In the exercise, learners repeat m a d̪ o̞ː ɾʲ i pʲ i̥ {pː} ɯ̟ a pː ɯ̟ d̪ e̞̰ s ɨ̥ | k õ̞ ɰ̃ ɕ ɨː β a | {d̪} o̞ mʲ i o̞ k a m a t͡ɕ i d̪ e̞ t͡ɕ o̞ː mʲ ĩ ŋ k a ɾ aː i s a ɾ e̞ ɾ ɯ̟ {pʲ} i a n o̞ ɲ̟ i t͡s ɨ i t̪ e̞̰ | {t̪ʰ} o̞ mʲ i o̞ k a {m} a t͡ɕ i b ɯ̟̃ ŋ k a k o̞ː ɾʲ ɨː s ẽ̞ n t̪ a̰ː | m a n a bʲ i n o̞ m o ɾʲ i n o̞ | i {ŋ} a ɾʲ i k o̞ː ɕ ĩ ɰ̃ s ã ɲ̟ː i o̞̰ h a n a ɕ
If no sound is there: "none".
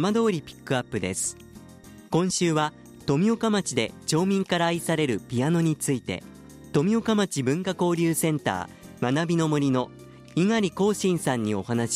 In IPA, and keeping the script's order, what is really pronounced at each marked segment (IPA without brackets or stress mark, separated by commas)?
kː, t̪, pʲ, t̪, m, ŋ